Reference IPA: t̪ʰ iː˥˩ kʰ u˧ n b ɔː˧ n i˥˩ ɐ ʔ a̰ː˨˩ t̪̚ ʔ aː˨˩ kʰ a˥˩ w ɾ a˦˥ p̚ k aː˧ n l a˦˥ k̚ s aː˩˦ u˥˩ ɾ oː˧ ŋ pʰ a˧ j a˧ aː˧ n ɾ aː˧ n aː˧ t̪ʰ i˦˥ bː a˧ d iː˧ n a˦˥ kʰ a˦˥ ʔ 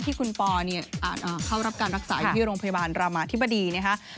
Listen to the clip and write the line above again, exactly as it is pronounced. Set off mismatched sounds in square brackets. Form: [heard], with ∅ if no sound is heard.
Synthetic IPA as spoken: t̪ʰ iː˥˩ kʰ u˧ n [p] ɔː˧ n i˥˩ ɐ ʔ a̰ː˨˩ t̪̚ ʔ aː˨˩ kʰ a˥˩ w ɾ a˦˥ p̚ k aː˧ n [ɾ] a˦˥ k̚ s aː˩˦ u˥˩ ɾ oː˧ ŋ pʰ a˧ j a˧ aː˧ n ɾ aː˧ [m] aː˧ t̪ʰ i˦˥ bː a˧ d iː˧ n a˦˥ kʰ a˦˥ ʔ